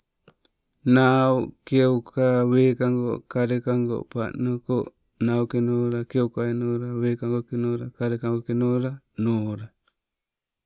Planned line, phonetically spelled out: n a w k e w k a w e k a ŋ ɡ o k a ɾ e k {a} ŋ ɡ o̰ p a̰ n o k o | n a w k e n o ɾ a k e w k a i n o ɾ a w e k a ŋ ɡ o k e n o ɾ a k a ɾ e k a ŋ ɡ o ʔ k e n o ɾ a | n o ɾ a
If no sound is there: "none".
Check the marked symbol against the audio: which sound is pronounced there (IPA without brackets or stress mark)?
a